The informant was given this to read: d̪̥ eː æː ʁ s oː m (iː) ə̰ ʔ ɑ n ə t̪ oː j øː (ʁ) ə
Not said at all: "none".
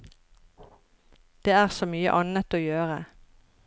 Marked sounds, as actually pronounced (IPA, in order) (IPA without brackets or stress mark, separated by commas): yː, ʁ